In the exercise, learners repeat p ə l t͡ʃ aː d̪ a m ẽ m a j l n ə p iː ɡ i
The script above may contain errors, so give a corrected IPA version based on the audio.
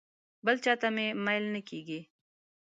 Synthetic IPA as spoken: b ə l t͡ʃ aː t̪ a m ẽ m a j l n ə k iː ɡ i